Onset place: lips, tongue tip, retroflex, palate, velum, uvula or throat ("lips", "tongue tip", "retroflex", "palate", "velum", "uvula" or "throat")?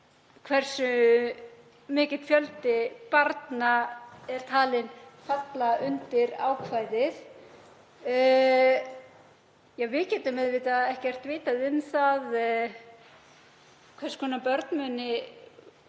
velum